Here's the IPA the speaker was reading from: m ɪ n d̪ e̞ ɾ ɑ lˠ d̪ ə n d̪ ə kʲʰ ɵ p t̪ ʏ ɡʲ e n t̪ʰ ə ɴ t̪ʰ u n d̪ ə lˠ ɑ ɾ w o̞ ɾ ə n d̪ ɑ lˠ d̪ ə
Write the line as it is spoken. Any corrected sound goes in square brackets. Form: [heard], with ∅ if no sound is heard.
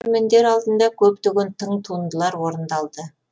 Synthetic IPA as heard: m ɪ n d̪ e̞ ɾ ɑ lˠ d̪ ə n d̪ [ɑ] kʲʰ ɵ p t̪ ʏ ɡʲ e n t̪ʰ ə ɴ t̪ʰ u n d̪ ə lˠ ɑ ɾ w o̞ ɾ ə n d̪ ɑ lˠ d̪ ə